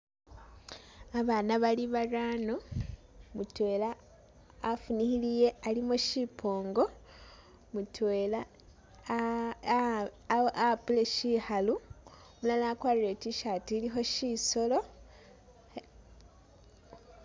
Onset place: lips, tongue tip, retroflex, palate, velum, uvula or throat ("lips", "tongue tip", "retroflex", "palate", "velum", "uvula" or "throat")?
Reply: lips